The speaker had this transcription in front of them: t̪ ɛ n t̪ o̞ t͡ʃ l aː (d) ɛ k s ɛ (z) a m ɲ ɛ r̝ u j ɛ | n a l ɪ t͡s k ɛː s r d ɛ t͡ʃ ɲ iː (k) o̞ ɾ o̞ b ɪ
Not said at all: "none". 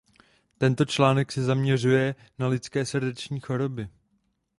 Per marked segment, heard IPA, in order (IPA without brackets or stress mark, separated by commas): n, z, x